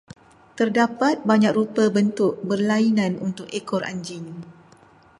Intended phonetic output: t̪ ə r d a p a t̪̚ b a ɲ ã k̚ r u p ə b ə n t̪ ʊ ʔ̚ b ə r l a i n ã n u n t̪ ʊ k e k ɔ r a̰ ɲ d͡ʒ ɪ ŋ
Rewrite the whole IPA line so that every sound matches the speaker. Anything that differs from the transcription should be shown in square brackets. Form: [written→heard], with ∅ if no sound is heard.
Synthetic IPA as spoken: t̪ ə r d a p a t̪̚ b a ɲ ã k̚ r u p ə b ə n t̪ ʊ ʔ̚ b ə r l a i n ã n u n t̪ ʊ k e k ɔ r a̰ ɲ d͡ʒ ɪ ŋ

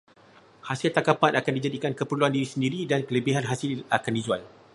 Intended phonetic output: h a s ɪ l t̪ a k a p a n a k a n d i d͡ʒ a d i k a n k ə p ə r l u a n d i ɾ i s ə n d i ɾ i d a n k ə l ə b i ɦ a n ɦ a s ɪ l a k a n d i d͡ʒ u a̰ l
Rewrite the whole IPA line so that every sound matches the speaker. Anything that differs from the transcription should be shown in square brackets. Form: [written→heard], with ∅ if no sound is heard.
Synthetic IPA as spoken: h a s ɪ l t̪ a k a p a n a k a n d i d͡ʒ a d i k a n k ə p ə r l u a n d i ɾ i s ə n d i ɾ i d a n k ə l ə b i ɦ a n ɦ a s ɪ l a k a n d i d͡ʒ u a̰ l

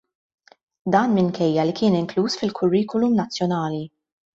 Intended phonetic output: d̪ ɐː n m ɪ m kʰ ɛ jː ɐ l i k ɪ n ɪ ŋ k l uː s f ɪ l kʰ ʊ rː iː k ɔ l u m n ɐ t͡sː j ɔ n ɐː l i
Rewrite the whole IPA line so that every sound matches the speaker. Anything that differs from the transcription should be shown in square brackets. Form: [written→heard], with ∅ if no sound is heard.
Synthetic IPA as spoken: d̪ ɐː n m ɪ [m→ŋ] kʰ ɛ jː ɐ l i k [ɪ→ɪː] n ɪ ŋ k l uː s f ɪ l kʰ ʊ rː iː k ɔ l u m n ɐ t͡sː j ɔ n ɐː l i

